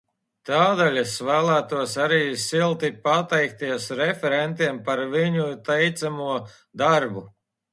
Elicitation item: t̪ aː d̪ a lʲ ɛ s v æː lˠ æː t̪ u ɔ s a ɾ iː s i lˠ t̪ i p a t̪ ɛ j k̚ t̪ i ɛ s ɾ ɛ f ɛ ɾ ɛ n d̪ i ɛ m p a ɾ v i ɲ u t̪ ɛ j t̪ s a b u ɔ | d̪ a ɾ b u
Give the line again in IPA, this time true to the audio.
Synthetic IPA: t̪ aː d̪ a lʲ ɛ s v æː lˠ æː t̪ u ɔ s a ɾ iː s i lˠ t̪ i p a t̪ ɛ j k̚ t̪ i ɛ s ɾ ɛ f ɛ ɾ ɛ n t̪ i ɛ m p a ɾ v i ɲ u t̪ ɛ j t̪ s a m u ɔ | d̪ a ɾ b u